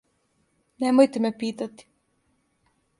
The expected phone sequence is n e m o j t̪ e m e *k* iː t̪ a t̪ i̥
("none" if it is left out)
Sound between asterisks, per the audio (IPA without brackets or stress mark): p